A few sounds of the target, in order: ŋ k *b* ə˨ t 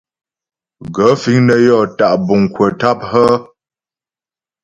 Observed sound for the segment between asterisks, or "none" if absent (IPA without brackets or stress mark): w